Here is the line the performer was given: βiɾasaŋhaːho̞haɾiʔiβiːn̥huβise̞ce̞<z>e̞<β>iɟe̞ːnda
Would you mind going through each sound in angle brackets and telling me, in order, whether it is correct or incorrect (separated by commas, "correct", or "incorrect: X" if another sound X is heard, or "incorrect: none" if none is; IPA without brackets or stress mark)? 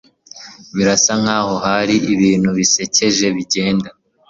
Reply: incorrect: ʒ, correct